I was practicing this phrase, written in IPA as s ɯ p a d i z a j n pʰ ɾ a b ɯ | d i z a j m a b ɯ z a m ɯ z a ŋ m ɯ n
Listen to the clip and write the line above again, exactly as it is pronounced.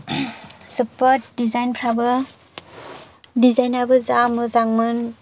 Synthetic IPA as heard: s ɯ p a d i z a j n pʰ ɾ a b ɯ | d i z a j n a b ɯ z a m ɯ z a ŋ m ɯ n